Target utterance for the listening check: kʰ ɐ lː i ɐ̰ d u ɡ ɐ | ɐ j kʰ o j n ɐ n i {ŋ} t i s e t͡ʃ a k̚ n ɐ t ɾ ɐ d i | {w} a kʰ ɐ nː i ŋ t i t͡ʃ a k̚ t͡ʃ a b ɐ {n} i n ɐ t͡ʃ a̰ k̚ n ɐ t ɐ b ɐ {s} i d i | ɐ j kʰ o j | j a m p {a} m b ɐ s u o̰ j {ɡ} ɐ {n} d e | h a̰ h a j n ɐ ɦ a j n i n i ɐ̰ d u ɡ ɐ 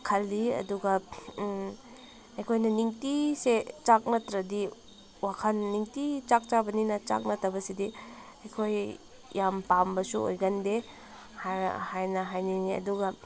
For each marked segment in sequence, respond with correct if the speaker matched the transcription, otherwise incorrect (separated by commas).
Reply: correct, correct, correct, correct, correct, correct, correct